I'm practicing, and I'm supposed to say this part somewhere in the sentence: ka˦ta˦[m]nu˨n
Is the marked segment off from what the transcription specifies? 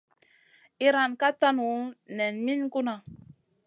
yes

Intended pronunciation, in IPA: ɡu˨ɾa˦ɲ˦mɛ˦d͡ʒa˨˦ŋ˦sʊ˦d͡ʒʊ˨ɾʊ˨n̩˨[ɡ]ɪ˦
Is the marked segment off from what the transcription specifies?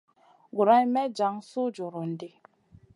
yes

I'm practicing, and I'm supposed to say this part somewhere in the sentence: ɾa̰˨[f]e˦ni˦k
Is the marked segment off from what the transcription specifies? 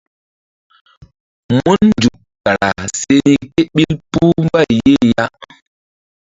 yes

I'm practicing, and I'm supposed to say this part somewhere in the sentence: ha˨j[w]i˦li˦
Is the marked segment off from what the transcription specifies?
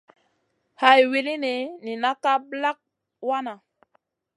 no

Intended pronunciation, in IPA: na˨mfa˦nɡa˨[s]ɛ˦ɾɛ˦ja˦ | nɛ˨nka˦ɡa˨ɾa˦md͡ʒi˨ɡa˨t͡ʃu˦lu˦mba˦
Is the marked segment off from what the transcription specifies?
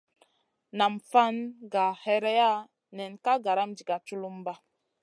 yes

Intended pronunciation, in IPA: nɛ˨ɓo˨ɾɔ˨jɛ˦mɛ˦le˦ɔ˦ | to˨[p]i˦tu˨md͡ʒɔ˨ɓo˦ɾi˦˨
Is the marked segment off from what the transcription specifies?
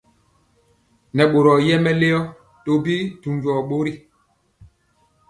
yes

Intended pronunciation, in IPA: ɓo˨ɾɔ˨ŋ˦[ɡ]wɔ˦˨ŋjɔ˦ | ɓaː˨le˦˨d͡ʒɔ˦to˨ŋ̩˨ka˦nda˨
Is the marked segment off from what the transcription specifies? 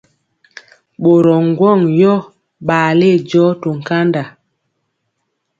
no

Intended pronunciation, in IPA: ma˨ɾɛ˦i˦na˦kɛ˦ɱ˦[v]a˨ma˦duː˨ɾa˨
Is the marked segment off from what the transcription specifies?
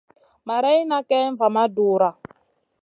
no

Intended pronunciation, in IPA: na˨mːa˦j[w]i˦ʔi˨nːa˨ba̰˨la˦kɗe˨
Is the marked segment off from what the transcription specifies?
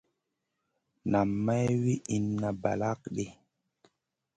no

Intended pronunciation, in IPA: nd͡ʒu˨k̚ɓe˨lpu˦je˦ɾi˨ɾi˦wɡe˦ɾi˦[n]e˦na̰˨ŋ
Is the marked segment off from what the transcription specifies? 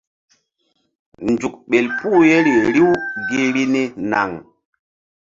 no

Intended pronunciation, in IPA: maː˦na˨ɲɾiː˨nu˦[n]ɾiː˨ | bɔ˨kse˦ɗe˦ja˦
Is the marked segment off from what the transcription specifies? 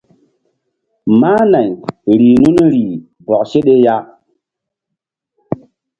no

